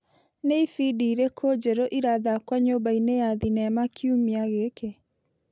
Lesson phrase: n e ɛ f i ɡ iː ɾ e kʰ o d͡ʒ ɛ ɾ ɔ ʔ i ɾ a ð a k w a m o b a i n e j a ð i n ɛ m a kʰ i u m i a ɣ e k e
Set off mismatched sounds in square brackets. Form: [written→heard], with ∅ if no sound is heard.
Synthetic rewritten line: n e [ɛ→i] f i [ɡ→d] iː ɾ e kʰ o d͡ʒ ɛ ɾ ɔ ʔ i ɾ a ð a k w a [m→ɲ] o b a i n e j a ð i n ɛ m a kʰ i u m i a ɣ e k e

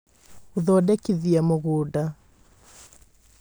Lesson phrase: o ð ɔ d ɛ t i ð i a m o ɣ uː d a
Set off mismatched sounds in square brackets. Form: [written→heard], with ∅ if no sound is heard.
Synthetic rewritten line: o ð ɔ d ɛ [t→k] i ð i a m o ɣ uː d a

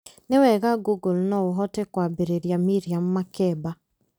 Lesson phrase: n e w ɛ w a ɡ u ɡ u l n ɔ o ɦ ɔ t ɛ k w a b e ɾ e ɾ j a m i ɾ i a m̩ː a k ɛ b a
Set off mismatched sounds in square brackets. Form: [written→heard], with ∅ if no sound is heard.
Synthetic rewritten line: n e w ɛ [w→ɣ] a ɡ u ɡ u l n ɔ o ɦ ɔ t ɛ k w a b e ɾ e ɾ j a m i ɾ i a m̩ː a k ɛ b a

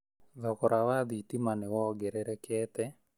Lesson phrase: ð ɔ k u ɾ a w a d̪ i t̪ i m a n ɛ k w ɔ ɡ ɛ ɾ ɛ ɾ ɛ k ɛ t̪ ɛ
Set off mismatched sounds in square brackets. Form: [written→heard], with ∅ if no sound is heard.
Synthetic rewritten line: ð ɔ k [u→ɔ] ɾ a w a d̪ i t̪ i m a n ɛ [k→∅] w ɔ ɡ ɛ ɾ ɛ ɾ ɛ k ɛ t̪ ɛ

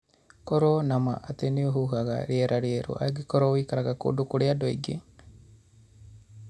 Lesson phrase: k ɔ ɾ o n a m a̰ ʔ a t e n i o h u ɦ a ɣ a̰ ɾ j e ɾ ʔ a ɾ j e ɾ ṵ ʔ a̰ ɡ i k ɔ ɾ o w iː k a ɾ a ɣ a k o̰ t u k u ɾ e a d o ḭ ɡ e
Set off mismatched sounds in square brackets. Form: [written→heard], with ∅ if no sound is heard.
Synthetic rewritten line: k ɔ ɾ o n a m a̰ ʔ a t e n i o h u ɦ a ɣ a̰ ɾ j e ɾ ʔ a ɾ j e ɾ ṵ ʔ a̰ ɡ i k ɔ ɾ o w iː k a ɾ a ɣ a k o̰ [t→d] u k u ɾ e a d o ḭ ɡ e

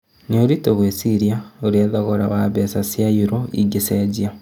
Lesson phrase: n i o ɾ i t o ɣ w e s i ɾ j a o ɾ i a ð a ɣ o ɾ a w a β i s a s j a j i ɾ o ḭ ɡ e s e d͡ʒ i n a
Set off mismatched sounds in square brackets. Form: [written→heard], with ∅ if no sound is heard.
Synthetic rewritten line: n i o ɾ i t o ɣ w e s i ɾ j a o ɾ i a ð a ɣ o ɾ a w a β [i→e] s a s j a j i ɾ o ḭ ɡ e s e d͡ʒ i [n→∅] a

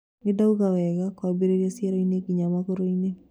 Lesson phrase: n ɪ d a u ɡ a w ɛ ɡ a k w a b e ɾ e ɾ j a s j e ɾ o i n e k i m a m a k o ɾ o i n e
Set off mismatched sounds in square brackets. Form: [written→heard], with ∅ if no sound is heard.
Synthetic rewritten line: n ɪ d a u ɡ a w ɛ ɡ a k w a b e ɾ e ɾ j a s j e ɾ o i n e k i [m→ɲ] a m a k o ɾ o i n e

